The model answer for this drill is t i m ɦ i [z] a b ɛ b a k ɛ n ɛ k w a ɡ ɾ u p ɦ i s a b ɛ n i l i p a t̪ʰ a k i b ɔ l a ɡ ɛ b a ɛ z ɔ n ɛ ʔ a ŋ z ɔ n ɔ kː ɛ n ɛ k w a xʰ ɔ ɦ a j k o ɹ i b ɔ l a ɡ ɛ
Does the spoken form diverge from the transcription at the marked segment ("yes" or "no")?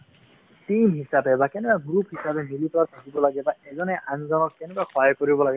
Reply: yes